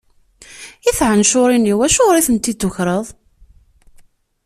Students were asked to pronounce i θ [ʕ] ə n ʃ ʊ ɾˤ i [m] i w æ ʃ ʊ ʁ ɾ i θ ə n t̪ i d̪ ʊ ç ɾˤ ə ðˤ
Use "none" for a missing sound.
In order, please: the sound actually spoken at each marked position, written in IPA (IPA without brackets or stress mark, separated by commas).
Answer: ʕ, n